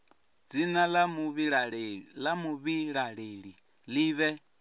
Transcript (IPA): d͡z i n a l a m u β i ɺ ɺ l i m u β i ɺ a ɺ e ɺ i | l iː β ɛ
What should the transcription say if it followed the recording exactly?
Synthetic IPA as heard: d͡z i n a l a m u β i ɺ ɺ l a m u β i ɺ a ɺ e ɺ i | l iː β ɛ